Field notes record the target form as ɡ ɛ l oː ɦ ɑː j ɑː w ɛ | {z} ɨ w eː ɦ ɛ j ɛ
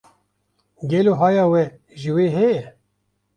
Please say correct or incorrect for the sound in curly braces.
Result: incorrect